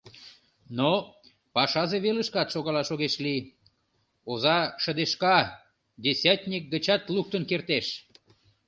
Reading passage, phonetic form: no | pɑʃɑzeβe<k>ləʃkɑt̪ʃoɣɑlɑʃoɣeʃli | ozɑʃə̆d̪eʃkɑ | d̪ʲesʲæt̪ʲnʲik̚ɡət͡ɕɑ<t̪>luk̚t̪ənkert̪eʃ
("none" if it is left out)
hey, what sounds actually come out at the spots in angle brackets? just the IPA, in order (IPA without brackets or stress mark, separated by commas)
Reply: none, t̪